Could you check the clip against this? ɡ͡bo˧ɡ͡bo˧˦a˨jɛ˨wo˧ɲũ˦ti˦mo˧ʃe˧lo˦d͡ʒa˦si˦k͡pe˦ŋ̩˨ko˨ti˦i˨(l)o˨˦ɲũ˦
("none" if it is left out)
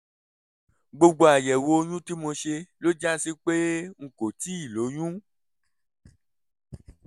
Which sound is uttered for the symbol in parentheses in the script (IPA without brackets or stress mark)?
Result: l